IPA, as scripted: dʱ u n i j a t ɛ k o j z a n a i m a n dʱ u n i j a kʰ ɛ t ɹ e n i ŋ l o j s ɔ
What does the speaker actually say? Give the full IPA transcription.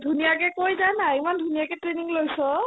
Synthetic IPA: dʱ u n i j a k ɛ k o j z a n a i m a n dʱ u n i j a k ɛ t ɹ e n i ŋ l o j s ɔ